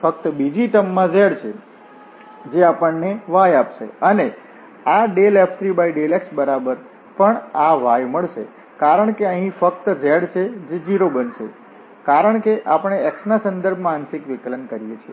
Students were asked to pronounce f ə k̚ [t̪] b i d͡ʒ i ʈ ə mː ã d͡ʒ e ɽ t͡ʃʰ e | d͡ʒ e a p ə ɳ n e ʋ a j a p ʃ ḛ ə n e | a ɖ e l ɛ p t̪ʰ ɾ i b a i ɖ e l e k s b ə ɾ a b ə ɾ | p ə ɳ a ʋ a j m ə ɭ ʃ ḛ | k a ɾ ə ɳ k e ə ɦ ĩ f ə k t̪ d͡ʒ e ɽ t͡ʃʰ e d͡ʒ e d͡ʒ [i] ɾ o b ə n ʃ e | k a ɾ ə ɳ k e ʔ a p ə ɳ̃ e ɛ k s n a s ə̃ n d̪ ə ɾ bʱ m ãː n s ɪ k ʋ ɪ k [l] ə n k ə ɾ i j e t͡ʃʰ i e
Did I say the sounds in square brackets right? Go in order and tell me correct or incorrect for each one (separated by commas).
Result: correct, correct, correct